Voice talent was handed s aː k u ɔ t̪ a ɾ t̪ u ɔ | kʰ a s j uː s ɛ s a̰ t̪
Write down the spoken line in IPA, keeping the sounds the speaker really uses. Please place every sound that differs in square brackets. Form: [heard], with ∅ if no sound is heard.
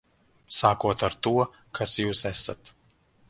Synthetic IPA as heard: s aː k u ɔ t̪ a ɾ t̪ u ɔ | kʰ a s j uː s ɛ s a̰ t̪